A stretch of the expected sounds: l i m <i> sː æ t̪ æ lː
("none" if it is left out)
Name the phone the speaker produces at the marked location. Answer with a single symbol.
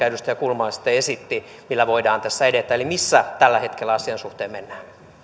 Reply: i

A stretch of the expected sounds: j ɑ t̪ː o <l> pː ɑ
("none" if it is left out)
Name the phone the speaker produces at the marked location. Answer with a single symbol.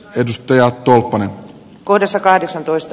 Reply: l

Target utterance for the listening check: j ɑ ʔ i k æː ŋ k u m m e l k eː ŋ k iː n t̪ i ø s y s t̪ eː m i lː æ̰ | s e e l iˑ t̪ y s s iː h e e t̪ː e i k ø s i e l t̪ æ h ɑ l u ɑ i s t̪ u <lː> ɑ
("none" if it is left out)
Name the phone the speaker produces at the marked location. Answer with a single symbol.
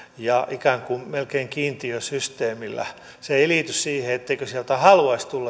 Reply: lː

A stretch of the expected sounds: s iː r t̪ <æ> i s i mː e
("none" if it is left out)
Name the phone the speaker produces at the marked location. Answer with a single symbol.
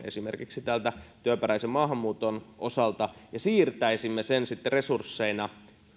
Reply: æ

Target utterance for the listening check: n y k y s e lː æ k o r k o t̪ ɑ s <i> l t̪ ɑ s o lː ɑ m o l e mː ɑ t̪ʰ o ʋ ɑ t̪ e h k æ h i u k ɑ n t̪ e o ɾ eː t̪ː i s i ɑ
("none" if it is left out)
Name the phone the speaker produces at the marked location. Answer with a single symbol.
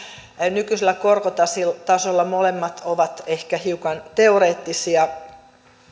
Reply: i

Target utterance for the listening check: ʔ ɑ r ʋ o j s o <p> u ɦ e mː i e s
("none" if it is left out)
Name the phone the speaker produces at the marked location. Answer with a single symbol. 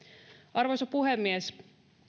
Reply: p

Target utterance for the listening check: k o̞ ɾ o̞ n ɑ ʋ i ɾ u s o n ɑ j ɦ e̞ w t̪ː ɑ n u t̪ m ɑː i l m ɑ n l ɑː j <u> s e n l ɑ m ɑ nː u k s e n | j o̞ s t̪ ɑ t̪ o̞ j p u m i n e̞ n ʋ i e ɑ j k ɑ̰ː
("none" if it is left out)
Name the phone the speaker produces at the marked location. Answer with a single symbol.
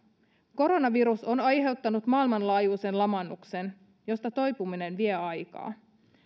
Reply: uː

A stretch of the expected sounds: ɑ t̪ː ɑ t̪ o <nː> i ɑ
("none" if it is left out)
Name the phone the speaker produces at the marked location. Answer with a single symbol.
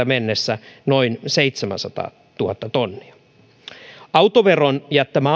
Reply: nː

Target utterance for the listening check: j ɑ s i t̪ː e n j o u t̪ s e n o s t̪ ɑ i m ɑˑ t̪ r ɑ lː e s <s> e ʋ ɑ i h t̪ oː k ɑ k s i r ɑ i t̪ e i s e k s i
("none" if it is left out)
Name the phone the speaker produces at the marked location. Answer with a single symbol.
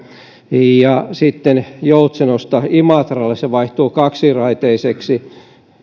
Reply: s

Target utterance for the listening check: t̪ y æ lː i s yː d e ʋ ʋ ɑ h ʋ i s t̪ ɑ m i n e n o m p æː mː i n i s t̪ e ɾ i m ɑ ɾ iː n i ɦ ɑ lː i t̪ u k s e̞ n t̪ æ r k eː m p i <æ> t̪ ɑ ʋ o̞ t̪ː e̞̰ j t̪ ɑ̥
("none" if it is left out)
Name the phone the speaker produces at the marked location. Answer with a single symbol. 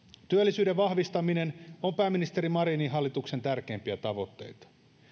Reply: æ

